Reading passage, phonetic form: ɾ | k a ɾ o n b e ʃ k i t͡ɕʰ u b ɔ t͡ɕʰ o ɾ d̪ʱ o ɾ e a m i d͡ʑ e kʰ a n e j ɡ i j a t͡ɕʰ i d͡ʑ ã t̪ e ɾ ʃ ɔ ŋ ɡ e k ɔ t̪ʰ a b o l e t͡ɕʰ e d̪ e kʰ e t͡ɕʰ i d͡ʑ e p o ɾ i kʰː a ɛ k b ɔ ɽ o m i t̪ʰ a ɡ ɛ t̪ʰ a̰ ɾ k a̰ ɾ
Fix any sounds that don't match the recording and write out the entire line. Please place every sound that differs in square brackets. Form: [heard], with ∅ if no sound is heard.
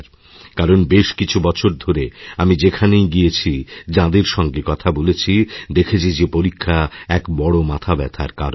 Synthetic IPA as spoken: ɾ | k a ɾ o n b e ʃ k i t͡ɕʰ u b ɔ t͡ɕʰ o ɾ d̪ʱ o ɾ e a m i d͡ʑ e kʰ a n e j ɡ i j [e] t͡ɕʰ i d͡ʑ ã [d̪] e ɾ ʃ ɔ ŋ ɡ e k ɔ t̪ʰ a b o l e t͡ɕʰ [i] d̪ e kʰ e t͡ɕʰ i d͡ʑ e p o ɾ i kʰː a ɛ k b ɔ ɽ o m [a] t̪ʰ a [b] ɛ t̪ʰ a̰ ɾ k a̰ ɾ